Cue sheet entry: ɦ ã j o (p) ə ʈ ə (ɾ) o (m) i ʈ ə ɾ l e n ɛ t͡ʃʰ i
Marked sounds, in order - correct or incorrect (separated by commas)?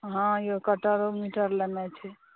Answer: incorrect, correct, correct